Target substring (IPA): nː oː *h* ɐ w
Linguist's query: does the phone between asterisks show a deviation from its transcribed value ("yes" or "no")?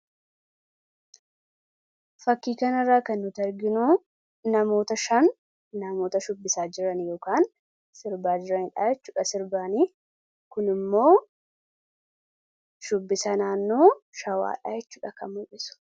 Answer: yes